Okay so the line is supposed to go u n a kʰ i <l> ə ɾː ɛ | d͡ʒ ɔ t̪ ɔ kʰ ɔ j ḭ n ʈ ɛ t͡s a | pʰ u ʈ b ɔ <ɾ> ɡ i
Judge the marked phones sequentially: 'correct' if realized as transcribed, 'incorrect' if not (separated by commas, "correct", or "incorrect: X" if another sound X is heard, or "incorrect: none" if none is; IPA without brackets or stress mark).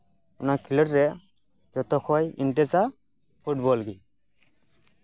correct, incorrect: l